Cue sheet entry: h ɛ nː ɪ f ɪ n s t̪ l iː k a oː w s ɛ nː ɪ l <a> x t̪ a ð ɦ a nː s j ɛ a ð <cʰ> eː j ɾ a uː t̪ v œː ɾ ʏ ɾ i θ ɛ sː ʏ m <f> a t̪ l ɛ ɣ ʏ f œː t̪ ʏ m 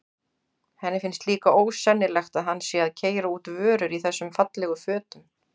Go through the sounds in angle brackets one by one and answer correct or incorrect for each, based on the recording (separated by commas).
incorrect, correct, correct